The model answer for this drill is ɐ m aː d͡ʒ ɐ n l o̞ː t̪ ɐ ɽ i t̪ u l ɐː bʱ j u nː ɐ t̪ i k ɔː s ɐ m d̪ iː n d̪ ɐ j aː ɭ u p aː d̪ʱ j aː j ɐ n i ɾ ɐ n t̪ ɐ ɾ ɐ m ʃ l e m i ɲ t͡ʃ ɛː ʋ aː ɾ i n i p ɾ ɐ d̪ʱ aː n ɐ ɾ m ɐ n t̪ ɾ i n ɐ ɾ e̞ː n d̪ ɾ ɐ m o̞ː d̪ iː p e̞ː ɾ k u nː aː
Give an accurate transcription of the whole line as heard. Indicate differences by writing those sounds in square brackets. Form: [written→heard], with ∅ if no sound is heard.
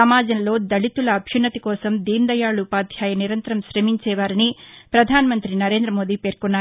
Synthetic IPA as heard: ɐ m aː d͡ʒ ɐ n l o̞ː [t̪→d̪] ɐ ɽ i t̪ u l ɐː bʱ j u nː ɐ t̪ i k ɔː s ɐ m d̪ iː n d̪ ɐ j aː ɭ u p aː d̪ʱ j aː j ɐ n i ɾ ɐ n t̪ ɐ ɾ ɐ m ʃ [l→ɾ] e m i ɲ t͡ʃ ɛː ʋ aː ɾ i n i p ɾ ɐ d̪ʱ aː n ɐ [ɾ→∅] m ɐ n t̪ ɾ i n ɐ ɾ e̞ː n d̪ ɾ ɐ m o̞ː d̪ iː p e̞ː ɾ k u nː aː